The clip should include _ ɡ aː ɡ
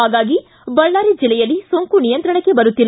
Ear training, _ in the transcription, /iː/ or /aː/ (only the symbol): aː